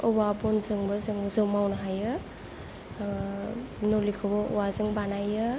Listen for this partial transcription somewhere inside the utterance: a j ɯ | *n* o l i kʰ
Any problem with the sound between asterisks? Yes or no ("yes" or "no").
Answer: no